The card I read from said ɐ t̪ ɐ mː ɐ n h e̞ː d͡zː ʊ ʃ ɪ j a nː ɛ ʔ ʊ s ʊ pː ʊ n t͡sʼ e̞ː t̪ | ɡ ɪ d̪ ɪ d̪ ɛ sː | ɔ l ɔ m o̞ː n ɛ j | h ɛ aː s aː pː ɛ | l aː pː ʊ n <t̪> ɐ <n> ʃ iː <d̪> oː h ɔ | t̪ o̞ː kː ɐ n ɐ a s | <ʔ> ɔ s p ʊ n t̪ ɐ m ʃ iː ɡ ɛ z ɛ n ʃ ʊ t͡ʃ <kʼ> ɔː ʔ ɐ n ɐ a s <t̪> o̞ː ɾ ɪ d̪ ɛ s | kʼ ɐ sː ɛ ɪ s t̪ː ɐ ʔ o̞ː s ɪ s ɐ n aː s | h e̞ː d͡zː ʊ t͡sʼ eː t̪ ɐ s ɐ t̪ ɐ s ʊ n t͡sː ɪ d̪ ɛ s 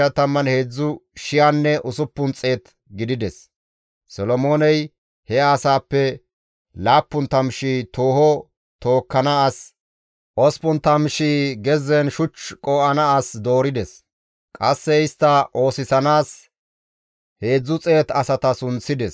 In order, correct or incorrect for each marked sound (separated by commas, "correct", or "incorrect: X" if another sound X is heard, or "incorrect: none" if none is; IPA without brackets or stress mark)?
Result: correct, incorrect: m, incorrect: t̪, correct, correct, incorrect: d̪